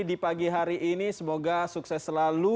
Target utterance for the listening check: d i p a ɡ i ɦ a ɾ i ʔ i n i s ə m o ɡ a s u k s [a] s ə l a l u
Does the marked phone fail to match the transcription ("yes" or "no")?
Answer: yes